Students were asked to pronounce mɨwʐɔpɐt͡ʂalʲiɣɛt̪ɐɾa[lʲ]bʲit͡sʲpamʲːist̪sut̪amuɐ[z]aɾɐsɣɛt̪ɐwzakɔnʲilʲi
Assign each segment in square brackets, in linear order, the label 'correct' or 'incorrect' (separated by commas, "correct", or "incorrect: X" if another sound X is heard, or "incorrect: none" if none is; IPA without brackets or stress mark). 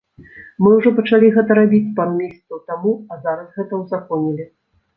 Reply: incorrect: none, correct